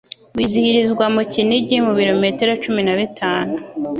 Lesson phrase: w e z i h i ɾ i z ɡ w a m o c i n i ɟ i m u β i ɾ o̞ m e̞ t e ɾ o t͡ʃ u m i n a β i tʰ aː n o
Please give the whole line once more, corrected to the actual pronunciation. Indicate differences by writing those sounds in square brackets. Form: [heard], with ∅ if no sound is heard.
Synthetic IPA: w [i] z i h i ɾ i z ɡ w a m [u] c i n i ɟ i m u β i ɾ o̞ m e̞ t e ɾ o t͡ʃ u m i n a β i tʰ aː n [u]